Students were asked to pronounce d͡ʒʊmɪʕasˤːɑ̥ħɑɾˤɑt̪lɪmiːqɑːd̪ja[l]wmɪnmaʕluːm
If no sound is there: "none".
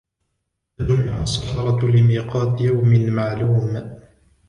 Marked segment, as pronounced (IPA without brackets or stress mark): none